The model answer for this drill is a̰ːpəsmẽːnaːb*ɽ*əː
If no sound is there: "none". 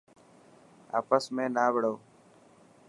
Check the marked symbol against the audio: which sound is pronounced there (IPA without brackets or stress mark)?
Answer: ɽ